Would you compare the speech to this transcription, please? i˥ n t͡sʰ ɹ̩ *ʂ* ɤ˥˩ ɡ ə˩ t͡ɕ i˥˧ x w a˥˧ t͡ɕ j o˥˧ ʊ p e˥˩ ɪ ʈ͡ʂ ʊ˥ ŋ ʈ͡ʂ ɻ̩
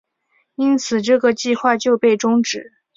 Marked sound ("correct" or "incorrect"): incorrect